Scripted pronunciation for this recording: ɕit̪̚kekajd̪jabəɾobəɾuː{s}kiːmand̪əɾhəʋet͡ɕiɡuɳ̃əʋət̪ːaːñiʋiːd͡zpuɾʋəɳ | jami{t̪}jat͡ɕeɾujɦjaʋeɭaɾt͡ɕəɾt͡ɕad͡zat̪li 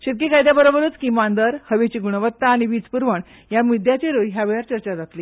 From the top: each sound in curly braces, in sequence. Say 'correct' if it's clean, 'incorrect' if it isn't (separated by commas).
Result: incorrect, incorrect